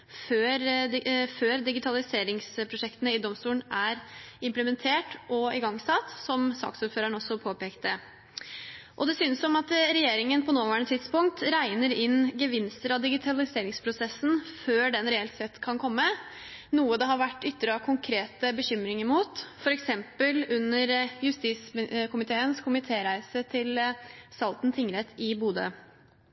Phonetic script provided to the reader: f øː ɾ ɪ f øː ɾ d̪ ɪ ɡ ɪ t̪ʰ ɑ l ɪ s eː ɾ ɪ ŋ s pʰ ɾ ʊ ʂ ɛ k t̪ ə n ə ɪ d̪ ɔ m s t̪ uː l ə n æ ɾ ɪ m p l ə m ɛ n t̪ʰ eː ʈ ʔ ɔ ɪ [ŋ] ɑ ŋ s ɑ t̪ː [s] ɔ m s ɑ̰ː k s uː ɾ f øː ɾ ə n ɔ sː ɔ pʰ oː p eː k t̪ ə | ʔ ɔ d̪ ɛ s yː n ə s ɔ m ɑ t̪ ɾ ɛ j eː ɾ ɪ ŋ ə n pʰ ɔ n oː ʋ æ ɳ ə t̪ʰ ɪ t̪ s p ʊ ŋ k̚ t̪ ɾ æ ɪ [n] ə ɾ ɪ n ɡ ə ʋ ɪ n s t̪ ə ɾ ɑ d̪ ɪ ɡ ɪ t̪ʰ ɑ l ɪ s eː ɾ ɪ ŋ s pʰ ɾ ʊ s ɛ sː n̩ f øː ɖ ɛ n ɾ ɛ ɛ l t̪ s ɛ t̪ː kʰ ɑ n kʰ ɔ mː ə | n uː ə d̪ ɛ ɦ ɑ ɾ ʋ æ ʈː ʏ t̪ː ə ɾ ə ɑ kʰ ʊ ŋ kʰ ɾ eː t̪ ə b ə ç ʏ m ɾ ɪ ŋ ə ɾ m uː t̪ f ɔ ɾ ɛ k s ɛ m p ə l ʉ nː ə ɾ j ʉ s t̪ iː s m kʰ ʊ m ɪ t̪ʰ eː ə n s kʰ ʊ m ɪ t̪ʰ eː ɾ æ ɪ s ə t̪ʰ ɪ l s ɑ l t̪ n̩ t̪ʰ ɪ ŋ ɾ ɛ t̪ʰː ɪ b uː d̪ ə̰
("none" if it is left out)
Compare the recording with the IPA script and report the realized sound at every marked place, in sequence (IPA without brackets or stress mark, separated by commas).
ɡ, s, n